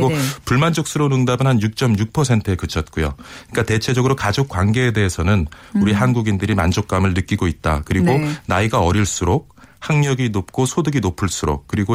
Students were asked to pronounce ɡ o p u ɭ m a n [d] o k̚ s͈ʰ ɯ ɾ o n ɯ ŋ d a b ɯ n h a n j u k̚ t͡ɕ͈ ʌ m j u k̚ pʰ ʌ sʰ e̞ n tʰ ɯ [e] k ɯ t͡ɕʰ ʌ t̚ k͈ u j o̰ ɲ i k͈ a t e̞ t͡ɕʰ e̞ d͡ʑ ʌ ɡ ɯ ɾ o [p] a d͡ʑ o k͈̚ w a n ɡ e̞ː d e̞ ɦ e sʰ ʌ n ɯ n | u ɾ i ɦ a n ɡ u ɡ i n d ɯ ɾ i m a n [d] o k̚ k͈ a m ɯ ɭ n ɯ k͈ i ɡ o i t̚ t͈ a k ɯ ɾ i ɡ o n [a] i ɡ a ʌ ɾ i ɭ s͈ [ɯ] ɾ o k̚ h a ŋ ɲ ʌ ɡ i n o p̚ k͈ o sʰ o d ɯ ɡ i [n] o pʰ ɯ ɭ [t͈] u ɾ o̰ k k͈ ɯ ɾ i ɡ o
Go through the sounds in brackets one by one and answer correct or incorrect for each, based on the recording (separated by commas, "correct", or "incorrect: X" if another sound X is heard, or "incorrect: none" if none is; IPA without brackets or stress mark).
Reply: incorrect: d͡ʑ, correct, incorrect: k, incorrect: d͡ʑ, correct, incorrect: u, correct, incorrect: s͈